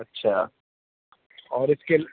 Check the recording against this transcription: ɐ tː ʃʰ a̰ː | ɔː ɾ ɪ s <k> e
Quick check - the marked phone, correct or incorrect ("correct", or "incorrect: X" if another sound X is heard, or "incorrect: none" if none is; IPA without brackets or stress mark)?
correct